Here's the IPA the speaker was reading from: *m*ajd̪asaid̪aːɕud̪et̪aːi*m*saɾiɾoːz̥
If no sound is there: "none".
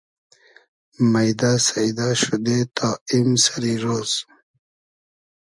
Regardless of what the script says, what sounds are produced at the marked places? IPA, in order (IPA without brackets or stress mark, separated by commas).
m, m